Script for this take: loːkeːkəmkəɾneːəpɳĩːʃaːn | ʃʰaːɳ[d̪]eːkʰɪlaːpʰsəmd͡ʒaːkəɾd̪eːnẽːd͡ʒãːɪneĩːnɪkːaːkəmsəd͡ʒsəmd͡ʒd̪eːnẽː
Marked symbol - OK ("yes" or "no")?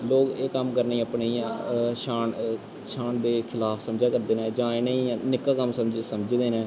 yes